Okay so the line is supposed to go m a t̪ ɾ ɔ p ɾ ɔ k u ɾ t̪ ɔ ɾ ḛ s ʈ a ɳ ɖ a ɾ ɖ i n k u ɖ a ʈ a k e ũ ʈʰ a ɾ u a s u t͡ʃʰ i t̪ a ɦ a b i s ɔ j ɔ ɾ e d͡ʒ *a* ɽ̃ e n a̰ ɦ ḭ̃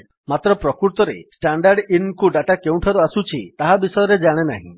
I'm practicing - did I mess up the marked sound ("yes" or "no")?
no